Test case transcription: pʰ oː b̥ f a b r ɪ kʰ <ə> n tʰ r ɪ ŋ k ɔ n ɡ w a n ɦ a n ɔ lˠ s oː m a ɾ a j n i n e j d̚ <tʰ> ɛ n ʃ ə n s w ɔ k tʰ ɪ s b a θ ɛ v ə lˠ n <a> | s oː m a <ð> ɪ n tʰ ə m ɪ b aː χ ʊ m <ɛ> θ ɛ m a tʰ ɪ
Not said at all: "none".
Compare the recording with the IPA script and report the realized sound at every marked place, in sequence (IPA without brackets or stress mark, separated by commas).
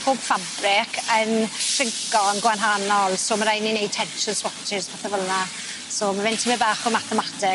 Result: ə, tʰ, a, v, a